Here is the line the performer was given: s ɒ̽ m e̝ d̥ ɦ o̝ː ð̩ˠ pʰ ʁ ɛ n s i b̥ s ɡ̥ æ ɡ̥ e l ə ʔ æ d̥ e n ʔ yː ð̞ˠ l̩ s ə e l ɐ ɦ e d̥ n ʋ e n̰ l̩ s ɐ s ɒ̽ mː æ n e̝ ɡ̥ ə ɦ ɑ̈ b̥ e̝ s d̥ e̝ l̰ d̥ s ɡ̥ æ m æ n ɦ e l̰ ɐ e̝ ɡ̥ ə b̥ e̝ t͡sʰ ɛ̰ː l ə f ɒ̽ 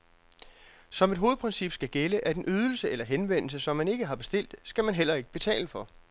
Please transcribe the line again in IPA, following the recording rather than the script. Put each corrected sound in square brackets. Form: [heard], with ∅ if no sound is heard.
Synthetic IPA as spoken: s ɒ̽ m e̝ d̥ ɦ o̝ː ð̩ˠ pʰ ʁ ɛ n s i b̥ s ɡ̥ æ ɡ̥ e l ə ʔ æ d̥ e n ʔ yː ð̞ˠ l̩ s ə e l ɐ ɦ e [∅] n ʋ e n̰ l̩ s [ə] s ɒ̽ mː æ n e̝ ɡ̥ ə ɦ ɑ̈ b̥ e̝ s d̥ e̝ l̰ d̥ s ɡ̥ æ m æ n ɦ e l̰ ɐ e̝ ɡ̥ ə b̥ e̝ t͡sʰ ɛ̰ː l ə f ɒ̽